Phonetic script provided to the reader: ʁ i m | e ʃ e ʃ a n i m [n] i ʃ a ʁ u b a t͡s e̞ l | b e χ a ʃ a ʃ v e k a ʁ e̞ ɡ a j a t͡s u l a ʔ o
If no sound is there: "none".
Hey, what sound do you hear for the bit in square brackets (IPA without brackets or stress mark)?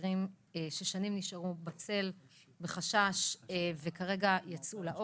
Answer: n